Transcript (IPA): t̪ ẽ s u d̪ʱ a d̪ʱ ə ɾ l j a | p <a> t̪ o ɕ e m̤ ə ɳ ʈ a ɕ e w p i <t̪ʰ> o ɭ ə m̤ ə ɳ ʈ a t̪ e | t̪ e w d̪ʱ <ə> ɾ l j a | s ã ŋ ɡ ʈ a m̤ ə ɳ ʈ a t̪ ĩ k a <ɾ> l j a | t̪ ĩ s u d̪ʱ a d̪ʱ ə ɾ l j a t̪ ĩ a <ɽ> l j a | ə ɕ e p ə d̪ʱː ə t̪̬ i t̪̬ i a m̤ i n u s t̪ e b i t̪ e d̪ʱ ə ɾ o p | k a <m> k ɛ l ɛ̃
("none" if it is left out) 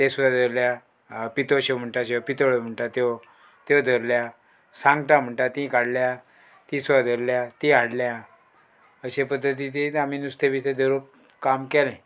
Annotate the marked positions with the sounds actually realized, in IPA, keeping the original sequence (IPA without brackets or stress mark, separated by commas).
i, t̪, ə, ɽ, ɽ, m